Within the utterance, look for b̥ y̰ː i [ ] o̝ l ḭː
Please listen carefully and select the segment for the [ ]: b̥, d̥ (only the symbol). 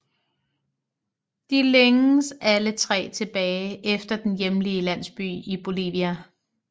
b̥